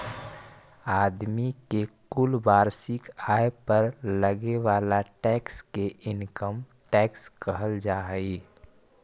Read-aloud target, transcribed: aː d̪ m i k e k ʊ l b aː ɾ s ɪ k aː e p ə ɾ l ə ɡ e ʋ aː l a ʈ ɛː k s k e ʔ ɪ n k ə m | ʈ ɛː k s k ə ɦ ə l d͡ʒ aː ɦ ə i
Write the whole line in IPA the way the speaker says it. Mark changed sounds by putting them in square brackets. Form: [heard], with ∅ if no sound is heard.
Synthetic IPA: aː d̪ m i k e k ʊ l b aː ɾ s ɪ k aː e p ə ɾ l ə ɡ e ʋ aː l a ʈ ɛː k s k e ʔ ɪ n k ə m | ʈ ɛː k s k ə ɦ ə l d͡ʒ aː ɦ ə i